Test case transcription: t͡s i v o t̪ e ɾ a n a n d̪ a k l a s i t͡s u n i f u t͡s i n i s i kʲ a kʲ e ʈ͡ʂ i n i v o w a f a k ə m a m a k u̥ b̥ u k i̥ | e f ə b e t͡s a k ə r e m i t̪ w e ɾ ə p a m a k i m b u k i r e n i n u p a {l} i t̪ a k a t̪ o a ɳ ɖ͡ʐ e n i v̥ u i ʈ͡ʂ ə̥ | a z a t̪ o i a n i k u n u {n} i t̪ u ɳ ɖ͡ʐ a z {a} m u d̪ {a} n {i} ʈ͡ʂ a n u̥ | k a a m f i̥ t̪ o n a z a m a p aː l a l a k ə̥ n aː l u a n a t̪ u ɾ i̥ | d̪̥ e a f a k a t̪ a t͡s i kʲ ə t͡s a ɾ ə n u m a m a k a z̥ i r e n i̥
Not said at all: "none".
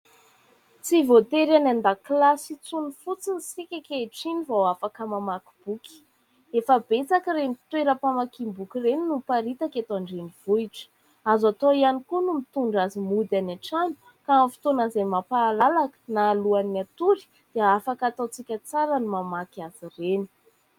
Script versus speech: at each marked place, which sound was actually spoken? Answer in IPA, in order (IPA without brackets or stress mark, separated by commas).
ɾ, m, i, a, a